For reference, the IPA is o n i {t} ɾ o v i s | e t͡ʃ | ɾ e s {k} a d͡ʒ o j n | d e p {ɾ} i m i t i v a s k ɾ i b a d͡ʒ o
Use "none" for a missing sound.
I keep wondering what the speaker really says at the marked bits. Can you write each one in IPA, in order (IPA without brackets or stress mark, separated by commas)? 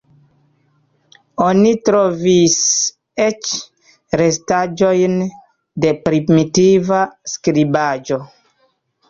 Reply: t, t, ɾ